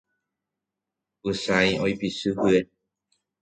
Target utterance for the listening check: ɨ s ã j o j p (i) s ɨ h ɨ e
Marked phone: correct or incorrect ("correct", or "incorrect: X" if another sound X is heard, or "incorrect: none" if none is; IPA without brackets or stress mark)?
correct